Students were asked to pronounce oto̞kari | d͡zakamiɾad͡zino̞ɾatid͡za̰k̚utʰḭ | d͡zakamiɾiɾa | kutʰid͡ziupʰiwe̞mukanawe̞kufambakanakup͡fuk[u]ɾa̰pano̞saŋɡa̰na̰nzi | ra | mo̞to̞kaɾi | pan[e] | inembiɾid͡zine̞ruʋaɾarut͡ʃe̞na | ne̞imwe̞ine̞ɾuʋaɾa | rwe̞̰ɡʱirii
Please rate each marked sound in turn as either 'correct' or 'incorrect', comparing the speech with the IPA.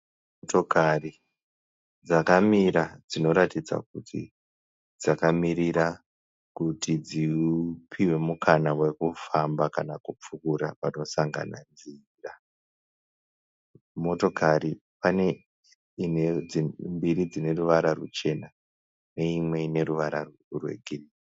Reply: correct, correct

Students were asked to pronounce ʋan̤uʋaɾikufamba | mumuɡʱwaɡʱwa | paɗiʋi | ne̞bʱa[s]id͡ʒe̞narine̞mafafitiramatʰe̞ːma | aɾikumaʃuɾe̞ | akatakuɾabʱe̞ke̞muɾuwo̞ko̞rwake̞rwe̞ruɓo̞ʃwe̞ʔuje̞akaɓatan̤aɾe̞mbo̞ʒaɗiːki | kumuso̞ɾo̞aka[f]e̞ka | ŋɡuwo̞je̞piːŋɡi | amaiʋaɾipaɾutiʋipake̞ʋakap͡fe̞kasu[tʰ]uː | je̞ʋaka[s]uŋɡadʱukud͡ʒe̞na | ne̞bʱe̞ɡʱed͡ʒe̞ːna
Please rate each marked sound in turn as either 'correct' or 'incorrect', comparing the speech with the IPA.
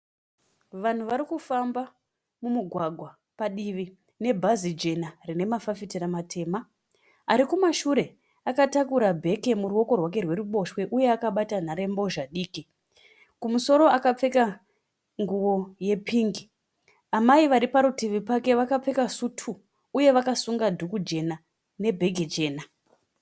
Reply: incorrect: z, incorrect: p͡f, correct, correct

